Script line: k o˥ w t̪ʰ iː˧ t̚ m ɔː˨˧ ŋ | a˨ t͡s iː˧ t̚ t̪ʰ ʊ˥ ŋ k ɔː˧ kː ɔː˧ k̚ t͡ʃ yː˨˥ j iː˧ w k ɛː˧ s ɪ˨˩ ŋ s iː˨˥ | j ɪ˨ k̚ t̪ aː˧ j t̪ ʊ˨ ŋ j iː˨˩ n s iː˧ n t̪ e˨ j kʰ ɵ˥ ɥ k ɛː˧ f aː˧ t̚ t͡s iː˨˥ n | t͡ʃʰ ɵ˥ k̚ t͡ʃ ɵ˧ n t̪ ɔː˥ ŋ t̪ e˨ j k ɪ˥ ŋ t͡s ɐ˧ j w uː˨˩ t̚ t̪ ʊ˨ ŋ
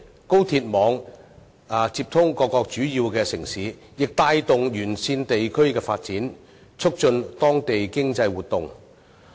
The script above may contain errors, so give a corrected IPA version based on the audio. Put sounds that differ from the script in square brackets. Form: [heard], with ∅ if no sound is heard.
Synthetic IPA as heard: k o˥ w t̪ʰ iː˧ t̚ m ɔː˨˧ ŋ | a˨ t͡s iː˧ [p̚] t̪ʰ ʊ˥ ŋ k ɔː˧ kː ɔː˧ k̚ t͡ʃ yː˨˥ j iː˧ w k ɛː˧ s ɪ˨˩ ŋ s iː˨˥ | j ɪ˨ k̚ t̪ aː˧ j t̪ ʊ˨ ŋ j [yː˨˩] n s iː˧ n t̪ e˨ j kʰ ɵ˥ ɥ k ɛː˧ f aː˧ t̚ t͡s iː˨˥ n | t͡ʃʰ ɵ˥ k̚ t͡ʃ ɵ˧ n t̪ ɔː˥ ŋ t̪ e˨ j k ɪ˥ ŋ t͡s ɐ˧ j w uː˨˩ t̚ t̪ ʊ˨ ŋ